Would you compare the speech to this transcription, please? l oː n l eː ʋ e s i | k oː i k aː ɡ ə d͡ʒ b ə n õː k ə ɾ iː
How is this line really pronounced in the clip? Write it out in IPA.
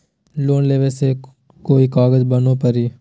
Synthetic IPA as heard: l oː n l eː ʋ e s e | k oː i k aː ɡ ə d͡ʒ b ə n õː p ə ɾ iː